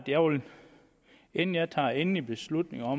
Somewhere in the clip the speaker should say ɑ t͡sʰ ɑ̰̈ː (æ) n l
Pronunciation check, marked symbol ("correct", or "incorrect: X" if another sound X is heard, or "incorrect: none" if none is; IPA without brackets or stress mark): incorrect: e